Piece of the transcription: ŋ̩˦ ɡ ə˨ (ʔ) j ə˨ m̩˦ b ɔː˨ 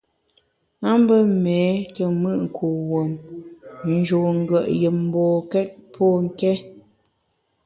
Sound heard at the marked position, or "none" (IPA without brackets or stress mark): ʔ